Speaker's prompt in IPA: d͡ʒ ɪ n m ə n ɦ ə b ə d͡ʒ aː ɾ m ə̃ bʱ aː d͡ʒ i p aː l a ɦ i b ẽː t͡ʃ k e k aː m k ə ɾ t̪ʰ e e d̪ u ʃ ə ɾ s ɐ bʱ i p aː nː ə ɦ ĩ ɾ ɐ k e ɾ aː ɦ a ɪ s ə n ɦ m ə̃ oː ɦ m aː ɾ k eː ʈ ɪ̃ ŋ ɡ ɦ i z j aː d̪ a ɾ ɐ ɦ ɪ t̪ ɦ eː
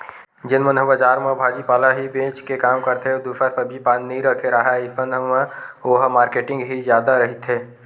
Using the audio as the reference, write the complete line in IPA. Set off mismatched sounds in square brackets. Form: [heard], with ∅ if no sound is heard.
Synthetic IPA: d͡ʒ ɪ n m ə n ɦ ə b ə d͡ʒ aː ɾ m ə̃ bʱ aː d͡ʒ i p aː l a ɦ i b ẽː t͡ʃ k e k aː m k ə ɾ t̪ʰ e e d̪ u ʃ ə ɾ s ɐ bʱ i p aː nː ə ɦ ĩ ɾ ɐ [kʰ] e ɾ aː ɦ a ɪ s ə n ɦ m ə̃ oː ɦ m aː ɾ k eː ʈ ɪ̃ ŋ ɡ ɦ i z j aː d̪ a ɾ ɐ ɦ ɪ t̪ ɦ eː